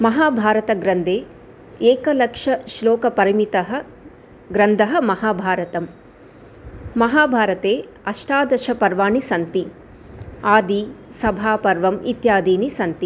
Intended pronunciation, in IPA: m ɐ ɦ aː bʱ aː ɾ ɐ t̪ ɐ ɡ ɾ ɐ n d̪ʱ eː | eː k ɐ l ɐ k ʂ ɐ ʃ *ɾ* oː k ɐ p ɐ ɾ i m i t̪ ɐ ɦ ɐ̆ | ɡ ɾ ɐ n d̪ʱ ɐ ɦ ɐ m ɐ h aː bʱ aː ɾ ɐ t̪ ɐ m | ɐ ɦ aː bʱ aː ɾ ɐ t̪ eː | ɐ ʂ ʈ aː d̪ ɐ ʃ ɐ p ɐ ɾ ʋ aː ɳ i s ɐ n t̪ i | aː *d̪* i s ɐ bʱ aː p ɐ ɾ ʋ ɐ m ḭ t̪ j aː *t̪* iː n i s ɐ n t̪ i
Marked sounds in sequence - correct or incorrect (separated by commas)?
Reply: incorrect, correct, incorrect